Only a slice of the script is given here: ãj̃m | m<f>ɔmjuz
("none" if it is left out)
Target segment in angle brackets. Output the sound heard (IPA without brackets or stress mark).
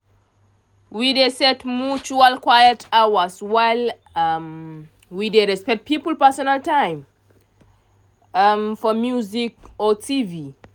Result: f